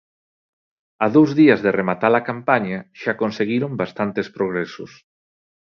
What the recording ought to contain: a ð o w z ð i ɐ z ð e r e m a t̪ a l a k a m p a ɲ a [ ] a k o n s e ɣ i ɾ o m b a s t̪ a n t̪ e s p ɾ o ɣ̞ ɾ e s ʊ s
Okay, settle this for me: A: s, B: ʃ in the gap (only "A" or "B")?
B